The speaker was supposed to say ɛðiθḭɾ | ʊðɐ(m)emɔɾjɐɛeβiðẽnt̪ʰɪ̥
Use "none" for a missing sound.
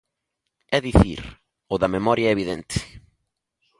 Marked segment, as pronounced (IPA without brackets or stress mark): m